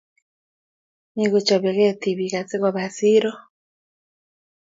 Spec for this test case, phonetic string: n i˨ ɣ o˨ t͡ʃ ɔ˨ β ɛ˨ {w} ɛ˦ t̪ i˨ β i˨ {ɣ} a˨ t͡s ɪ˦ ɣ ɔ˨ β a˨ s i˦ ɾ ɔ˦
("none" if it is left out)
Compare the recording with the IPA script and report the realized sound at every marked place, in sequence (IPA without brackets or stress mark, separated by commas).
ɣ, ɣ